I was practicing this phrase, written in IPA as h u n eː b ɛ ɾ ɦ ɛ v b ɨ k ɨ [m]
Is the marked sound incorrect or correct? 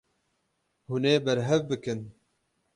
incorrect